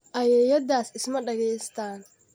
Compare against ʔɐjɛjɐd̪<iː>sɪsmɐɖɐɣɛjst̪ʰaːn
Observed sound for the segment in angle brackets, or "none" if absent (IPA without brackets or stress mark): aː